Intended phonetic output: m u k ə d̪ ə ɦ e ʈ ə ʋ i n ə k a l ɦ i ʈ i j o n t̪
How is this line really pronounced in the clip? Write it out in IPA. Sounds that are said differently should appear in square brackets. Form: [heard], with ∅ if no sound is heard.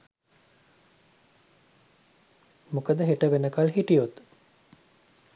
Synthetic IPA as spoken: m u k ə d̪ ə ɦ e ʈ ə ʋ [e] n ə k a l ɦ i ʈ i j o [∅] t̪